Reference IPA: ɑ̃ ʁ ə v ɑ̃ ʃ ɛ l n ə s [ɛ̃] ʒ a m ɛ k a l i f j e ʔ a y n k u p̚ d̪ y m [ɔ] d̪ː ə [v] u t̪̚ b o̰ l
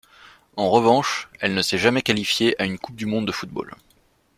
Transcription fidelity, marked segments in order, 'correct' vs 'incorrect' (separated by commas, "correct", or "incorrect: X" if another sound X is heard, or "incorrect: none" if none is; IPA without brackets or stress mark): incorrect: ɛ, incorrect: ɔ̃, incorrect: f